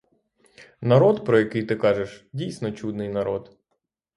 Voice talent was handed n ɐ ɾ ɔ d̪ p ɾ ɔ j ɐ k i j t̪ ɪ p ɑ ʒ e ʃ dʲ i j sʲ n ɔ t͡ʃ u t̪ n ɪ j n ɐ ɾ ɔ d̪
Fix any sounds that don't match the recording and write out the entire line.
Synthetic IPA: n ɐ ɾ ɔ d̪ p ɾ ɔ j ɐ k ɪ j t̪ ɪ k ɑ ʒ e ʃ dʲ i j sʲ n ɔ t͡ʃ u d̪ n ɪ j n ɐ ɾ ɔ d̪